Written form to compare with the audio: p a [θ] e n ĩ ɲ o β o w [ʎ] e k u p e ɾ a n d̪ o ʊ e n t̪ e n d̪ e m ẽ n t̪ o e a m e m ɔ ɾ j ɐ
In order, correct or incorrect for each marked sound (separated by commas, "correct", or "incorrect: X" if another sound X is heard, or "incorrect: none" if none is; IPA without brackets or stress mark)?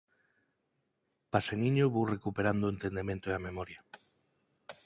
incorrect: s, incorrect: r